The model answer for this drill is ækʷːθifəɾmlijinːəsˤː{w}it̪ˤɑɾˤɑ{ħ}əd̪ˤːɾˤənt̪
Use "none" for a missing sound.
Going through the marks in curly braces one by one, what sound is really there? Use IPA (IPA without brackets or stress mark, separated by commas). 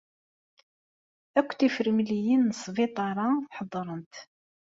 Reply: v, ħ